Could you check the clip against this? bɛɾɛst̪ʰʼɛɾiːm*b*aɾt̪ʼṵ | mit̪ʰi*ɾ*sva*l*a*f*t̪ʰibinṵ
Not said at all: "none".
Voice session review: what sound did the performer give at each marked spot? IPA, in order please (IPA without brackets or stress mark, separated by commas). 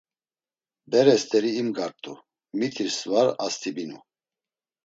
ɡ, ɾ, ɾ, s